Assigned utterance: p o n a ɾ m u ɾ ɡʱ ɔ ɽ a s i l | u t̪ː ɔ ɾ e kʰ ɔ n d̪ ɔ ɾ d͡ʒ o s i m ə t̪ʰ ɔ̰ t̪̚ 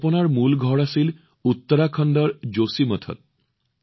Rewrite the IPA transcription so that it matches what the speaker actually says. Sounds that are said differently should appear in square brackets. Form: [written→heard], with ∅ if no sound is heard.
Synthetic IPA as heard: p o n a ɾ m u [ɾ→l] ɡʱ ɔ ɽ a s i l | u t̪ː ɔ ɾ [e→a] kʰ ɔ n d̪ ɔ ɾ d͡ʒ o s i m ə t̪ʰ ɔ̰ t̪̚

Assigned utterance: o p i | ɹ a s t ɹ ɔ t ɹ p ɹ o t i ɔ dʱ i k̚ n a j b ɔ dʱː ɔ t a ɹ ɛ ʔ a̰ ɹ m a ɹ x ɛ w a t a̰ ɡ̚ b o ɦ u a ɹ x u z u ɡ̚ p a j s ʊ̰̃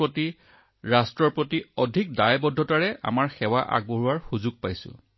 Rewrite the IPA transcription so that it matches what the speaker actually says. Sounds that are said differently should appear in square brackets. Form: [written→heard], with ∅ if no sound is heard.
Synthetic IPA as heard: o [p→t] i | ɹ a s t ɹ ɔ [t→∅] ɹ p ɹ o t i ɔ dʱ i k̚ [n→d] a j b ɔ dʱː ɔ t a ɹ ɛ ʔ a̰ [ɹ→∅] m a ɹ x ɛ w a [t→ʔ] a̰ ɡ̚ b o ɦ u a ɹ x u z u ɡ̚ p a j s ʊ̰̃

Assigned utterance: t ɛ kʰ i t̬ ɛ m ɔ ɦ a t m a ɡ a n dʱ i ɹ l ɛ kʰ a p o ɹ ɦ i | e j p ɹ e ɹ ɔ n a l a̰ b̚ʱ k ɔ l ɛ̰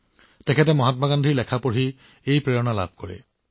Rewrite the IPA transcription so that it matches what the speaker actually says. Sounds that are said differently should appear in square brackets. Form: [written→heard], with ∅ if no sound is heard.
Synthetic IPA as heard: t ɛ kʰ [i→ɛ] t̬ ɛ m ɔ ɦ a t m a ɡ a n dʱ i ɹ l ɛ kʰ a p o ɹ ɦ i | e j p ɹ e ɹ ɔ n a l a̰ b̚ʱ k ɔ [l→ɹ] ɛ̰

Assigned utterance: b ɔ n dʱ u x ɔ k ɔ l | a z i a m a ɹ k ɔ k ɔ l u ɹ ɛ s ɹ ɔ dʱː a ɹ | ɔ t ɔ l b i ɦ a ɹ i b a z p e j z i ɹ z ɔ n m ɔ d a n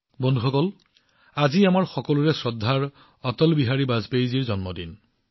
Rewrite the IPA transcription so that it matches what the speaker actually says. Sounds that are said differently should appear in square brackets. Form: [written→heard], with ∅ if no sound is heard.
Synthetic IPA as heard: b ɔ n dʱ u x ɔ k ɔ l | a z i a m a ɹ [k→x] ɔ k ɔ l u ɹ ɛ s ɹ ɔ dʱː a ɹ | ɔ t ɔ l b i ɦ a ɹ i b a z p e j z i ɹ z ɔ n m ɔ d [a→i] n

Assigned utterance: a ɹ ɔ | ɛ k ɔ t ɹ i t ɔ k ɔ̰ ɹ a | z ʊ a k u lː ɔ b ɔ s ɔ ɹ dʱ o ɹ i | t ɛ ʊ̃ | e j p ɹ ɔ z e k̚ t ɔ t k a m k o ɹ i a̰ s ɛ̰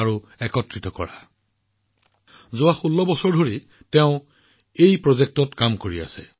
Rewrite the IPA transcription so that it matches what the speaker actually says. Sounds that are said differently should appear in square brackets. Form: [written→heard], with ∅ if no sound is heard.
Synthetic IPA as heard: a ɹ [ɔ→u] | ɛ k ɔ t ɹ i t ɔ k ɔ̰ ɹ a | z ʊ a [k→x] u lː ɔ b ɔ s ɔ ɹ dʱ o ɹ i | t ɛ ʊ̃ | e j p ɹ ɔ z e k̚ t ɔ t k a m k o ɹ i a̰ s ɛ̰

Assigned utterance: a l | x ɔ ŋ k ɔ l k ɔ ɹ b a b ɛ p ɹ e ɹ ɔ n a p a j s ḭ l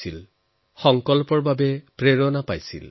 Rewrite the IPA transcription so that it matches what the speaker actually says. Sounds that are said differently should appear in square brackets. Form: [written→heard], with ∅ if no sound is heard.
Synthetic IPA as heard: [a→i] l | x ɔ ŋ k ɔ l [k→p] ɔ ɹ b a b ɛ p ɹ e ɹ ɔ n a p a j s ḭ l

